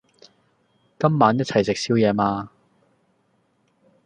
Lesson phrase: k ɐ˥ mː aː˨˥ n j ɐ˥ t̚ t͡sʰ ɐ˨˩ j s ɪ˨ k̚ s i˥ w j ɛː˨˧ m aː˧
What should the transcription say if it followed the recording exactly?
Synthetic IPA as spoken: k ɐ˥ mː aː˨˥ n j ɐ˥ t̚ t͡sʰ ɐ˨˩ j s ɪ˨ k̚ s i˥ w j ɛː˨˧ m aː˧